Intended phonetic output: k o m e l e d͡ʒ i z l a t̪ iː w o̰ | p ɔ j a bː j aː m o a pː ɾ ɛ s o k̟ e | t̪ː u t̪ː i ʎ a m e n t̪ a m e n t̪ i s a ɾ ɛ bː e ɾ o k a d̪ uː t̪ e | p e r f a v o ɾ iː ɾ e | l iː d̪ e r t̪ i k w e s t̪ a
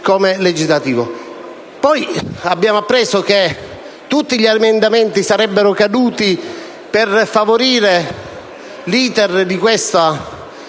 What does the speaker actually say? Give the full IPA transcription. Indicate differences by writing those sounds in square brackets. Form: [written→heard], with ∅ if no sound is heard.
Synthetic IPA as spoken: k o m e l e d͡ʒ i z l a t̪ iː [w→v] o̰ | p ɔ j a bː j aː m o a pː ɾ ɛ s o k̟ e | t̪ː u t̪ː i ʎ a m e n [t̪→d̪] a m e n t̪ i s a ɾ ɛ bː e ɾ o k a d̪ uː t̪ [e→i] | p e r f a v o ɾ iː ɾ e | l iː [d̪→t̪] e r [t̪→d̪] i k w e s t̪ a